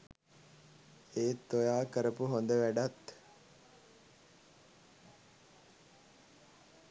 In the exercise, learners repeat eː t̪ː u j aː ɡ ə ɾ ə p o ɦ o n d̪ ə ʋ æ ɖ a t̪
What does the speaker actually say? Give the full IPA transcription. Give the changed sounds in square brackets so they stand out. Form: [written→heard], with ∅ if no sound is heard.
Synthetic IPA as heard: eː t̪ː [u→o] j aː [ɡ→k] ə ɾ ə p [o→u] ɦ o n d̪ ə ʋ æ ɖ a t̪